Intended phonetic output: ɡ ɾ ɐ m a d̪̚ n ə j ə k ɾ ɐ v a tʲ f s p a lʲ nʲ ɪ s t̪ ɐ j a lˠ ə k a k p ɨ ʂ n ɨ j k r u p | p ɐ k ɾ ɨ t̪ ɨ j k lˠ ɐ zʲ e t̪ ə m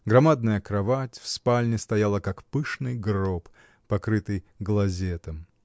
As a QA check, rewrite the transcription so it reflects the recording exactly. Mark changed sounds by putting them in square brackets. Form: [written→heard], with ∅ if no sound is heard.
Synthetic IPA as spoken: ɡ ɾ ɐ m a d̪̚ n ə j ə k ɾ ɐ v a tʲ f s p a lʲ nʲ ɪ s t̪ ɐ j a lˠ ə k a k p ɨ ʂ n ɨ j [k→ɡ] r [u→o] p | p ɐ k ɾ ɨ t̪ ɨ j [k→ɡ] lˠ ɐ zʲ e t̪ ə m